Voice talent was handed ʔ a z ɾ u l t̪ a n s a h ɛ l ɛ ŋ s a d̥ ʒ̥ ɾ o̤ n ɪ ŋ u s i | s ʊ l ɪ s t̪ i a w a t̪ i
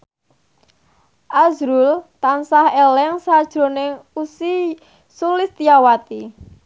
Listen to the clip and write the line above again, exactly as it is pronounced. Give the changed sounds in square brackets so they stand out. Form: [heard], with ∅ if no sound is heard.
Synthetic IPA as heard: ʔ a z ɾ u l t̪ a n s a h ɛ l ɛ ŋ s a d̥ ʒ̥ ɾ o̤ n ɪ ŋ u s i | s [u] l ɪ s t̪ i a w a t̪ i